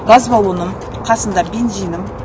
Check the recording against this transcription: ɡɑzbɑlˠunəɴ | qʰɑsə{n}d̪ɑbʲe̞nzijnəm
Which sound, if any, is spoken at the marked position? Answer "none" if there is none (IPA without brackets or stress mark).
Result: n